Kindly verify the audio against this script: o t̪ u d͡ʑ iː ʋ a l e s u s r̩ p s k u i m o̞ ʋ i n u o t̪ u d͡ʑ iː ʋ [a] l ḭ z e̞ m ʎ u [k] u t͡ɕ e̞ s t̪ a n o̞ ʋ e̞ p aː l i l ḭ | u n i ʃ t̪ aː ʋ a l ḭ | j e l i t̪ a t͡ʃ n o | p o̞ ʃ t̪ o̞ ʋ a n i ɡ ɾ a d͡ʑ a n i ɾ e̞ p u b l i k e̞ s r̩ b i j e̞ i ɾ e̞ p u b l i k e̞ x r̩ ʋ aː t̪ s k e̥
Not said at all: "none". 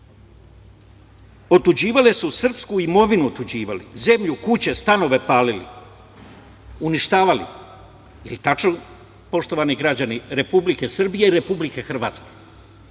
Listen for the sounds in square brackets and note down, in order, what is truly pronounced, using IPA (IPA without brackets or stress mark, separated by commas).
a, k